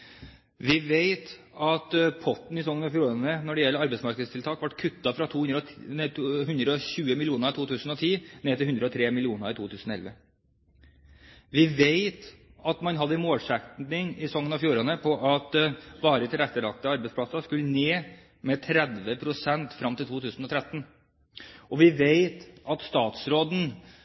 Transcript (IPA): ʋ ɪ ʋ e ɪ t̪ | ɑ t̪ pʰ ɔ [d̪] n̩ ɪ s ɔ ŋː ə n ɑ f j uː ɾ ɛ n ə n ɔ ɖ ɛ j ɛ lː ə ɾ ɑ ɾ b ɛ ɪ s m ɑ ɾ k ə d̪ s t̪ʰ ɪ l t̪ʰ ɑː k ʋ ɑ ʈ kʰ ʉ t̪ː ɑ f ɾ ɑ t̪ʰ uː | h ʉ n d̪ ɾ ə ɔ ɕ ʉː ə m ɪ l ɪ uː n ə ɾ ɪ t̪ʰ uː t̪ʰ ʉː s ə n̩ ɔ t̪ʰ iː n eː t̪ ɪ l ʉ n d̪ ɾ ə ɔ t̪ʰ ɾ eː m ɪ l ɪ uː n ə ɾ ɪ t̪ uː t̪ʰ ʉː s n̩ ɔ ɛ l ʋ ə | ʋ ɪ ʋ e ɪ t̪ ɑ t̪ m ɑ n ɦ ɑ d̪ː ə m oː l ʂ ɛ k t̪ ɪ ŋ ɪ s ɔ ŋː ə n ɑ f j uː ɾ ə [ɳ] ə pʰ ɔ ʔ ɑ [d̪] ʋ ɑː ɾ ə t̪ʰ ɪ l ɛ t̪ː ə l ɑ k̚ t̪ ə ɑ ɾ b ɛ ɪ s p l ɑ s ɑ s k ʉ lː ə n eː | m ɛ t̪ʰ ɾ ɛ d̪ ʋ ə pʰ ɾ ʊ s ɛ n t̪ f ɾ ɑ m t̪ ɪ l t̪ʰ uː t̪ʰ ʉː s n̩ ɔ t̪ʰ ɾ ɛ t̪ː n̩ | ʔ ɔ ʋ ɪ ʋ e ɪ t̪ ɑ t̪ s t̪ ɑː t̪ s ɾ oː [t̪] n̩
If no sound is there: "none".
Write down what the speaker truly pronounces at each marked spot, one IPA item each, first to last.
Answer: t̪, n, t̪, d̪

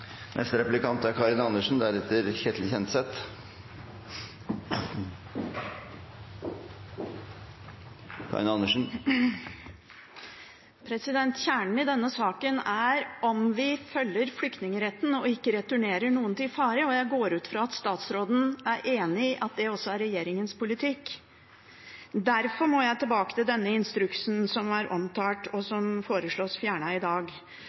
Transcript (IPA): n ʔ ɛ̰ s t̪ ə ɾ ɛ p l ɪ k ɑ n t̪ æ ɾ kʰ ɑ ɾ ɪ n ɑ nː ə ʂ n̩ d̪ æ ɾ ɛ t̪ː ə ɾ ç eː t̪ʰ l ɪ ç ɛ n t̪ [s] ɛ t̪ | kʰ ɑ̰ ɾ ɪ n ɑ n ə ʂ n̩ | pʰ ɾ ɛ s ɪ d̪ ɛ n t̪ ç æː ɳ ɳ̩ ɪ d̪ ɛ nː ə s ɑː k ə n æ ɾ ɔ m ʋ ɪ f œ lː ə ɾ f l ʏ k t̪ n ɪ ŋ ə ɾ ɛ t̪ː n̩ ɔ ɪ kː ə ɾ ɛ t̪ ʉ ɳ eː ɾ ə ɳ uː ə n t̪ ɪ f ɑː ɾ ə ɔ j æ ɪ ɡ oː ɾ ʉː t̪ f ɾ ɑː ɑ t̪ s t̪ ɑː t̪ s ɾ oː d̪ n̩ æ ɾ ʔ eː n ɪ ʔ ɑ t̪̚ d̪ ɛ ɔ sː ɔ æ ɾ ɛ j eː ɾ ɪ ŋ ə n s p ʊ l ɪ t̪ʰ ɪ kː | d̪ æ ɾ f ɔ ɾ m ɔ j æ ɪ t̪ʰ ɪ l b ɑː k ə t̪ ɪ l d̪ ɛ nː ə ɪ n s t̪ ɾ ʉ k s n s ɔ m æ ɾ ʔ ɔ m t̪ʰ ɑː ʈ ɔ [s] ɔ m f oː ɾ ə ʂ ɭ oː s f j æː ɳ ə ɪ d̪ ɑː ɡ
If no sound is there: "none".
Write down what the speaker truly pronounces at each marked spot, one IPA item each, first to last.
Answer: s, s

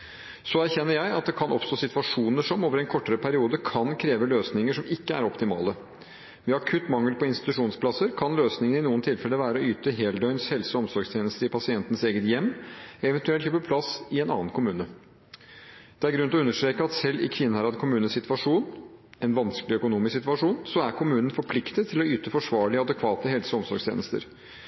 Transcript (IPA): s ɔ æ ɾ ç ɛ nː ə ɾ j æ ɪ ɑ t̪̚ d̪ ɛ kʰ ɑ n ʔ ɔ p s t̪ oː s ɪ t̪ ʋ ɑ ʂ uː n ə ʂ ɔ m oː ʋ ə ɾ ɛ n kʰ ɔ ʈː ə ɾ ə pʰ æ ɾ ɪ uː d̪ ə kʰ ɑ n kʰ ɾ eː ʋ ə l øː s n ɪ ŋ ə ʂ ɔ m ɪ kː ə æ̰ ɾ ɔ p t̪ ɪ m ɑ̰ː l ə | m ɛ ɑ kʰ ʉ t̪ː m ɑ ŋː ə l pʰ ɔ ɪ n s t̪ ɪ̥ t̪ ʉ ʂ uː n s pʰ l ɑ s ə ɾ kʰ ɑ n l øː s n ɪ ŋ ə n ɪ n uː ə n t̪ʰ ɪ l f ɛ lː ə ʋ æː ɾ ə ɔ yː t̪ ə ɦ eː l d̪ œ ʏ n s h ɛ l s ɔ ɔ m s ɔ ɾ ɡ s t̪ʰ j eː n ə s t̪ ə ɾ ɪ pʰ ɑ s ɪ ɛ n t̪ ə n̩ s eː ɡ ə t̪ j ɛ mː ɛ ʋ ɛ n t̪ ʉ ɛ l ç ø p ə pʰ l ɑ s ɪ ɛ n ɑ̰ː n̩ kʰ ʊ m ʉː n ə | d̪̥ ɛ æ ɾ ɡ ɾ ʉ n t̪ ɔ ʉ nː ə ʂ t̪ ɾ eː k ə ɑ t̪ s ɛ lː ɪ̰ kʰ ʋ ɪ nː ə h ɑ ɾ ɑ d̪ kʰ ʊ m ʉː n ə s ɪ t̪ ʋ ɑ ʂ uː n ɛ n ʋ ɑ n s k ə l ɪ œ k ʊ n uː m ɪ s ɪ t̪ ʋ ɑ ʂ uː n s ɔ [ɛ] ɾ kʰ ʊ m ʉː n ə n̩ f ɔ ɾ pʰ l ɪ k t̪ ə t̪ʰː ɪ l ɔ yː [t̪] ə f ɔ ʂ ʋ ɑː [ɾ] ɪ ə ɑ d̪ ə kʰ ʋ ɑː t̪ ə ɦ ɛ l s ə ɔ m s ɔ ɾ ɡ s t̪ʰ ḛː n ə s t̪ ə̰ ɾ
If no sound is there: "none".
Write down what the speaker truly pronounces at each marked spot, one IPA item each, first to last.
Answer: æ, t̪, ɭ

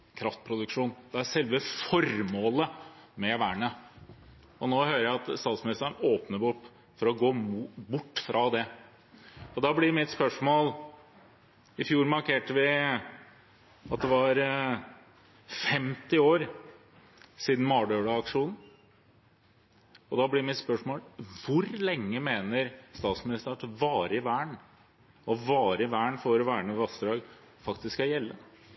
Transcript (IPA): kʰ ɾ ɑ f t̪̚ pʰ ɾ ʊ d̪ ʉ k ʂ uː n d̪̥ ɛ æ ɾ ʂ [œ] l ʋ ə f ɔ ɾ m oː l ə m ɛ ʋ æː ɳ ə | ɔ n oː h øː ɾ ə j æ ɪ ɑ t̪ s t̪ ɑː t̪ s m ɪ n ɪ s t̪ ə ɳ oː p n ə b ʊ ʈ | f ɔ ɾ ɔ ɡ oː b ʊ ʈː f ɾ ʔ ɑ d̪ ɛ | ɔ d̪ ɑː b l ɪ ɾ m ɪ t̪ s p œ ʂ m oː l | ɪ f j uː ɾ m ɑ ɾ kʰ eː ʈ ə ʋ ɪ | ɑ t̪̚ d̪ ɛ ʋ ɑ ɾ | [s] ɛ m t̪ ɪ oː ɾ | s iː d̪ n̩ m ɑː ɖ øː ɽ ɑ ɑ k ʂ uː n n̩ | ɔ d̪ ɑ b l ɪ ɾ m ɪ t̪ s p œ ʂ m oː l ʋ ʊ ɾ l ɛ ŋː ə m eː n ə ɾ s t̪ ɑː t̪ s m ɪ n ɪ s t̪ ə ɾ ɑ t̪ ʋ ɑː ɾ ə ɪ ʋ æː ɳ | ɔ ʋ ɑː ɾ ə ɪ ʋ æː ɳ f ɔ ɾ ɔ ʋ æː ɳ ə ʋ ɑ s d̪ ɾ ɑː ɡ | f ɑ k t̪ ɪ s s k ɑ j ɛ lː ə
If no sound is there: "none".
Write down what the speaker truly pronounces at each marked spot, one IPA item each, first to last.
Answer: ɛ, f

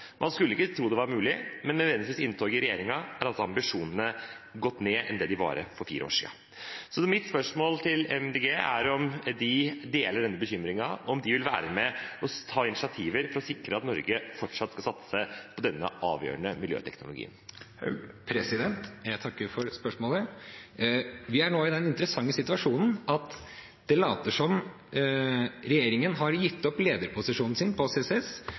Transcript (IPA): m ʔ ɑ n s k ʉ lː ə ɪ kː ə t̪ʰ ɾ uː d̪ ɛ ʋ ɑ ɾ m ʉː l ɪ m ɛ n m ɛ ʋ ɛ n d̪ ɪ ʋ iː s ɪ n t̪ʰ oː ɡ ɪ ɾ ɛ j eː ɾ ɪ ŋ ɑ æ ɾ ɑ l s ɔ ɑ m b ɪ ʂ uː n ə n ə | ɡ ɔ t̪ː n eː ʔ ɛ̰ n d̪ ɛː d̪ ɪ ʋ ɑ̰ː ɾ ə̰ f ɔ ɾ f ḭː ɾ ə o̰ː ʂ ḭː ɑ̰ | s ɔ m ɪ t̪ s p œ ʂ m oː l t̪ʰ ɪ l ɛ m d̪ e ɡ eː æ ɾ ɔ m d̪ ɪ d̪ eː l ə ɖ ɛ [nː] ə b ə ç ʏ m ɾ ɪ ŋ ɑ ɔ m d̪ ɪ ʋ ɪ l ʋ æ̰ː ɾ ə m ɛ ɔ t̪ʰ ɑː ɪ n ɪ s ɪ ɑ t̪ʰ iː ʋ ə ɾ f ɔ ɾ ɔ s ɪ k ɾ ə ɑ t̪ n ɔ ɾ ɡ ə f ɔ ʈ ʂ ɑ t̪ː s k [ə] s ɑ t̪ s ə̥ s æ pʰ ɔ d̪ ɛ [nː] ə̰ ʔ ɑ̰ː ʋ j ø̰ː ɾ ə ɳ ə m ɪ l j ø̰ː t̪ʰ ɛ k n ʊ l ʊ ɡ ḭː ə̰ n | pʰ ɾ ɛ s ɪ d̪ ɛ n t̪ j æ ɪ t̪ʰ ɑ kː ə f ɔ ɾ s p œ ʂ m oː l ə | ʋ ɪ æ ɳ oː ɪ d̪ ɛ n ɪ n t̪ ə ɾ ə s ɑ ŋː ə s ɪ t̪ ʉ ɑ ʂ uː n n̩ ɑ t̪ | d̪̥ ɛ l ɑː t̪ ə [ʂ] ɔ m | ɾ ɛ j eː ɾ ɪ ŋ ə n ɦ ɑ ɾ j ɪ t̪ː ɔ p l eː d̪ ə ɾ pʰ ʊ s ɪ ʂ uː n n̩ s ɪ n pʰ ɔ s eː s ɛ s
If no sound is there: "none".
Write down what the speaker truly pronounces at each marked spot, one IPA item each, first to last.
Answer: nː, ɑ, nː, ʂ

